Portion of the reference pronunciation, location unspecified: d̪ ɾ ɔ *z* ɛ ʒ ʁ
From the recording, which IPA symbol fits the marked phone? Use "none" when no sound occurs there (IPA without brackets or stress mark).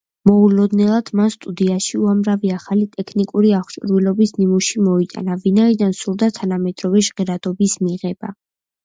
v